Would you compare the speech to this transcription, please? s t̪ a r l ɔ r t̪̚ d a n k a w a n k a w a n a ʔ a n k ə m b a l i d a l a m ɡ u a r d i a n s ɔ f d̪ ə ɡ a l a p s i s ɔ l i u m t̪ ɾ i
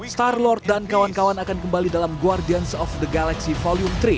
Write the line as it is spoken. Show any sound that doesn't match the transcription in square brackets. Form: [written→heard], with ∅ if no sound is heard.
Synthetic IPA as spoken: s t̪ a r l ɔ r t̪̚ d a n k a w a n k a w a n a [ʔ→k] a n k ə m b a l i d a l a m ɡ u a r d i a n s ɔ f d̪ ə ɡ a l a [p→k] s i [s→f] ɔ l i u m t̪ ɾ i